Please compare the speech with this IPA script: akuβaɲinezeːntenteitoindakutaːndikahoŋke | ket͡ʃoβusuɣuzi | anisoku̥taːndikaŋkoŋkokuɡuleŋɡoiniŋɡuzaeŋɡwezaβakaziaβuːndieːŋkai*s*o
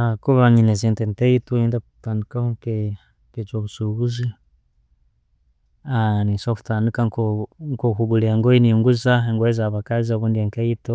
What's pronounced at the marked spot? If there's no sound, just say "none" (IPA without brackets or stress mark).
t